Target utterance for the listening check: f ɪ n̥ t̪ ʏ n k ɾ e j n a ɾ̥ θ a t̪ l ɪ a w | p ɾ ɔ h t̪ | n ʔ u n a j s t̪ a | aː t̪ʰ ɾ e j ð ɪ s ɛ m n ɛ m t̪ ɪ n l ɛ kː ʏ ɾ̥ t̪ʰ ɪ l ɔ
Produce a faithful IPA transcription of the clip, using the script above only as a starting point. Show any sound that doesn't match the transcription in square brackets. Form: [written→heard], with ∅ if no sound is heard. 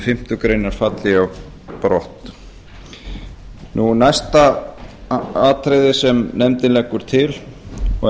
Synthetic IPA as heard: f ɪ [n̥→m̥] t̪ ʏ [n→∅] k ɾ e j n a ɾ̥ [θ→f] a t̪ l ɪ a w | p ɾ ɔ h t̪ | n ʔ u n a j s t̪ a | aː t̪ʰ ɾ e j ð ɪ s ɛ m n ɛ m t̪ ɪ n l ɛ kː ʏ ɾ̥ t̪ʰ ɪ l ɔ